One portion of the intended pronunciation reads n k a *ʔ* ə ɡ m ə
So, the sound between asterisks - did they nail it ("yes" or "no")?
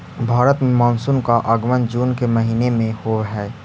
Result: yes